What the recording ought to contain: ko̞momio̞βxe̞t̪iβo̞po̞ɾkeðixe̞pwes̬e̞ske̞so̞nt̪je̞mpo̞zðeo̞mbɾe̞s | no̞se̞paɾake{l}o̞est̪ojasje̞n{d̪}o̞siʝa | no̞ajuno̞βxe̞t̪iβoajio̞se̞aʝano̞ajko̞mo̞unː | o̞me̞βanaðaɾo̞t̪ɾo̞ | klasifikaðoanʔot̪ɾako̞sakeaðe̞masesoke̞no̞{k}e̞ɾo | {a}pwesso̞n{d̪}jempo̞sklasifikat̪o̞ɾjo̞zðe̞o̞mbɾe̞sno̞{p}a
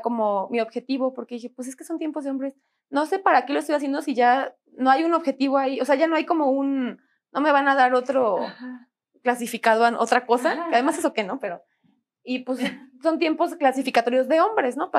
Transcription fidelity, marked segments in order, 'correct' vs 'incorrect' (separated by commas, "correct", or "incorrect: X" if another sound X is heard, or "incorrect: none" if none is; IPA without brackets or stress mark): correct, correct, incorrect: p, incorrect: i, incorrect: t̪, correct